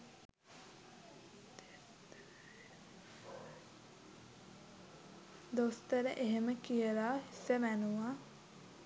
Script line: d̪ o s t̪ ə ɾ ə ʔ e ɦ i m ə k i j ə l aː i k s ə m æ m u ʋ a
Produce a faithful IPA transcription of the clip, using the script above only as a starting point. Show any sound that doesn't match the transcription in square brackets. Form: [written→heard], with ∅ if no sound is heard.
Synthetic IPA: d̪ o s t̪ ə ɾ ə ʔ e ɦ [i→e] m ə k i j ə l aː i [k→∅] s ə m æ [m→n] u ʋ a